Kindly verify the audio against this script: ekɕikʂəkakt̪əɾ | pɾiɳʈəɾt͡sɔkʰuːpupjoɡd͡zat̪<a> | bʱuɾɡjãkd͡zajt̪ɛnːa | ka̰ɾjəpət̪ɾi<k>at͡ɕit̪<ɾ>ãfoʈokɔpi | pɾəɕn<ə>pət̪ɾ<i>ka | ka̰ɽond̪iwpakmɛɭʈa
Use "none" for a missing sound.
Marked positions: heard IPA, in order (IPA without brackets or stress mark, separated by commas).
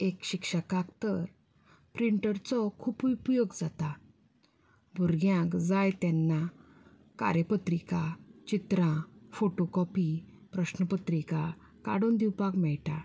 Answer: a, k, ɾ, ə, i